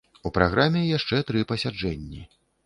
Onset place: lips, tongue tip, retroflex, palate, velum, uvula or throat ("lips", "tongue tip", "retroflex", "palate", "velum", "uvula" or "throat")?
lips